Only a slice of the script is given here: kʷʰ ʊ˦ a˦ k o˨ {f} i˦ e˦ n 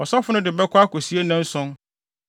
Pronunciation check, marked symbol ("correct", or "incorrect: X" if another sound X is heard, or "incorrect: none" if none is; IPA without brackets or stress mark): incorrect: s